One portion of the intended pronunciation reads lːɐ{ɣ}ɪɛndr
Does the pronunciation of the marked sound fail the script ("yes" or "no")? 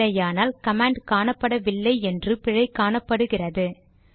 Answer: yes